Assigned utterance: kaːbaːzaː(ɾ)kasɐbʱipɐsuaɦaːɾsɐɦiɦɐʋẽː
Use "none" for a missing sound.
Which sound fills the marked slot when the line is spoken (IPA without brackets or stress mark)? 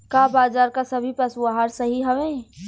ɾ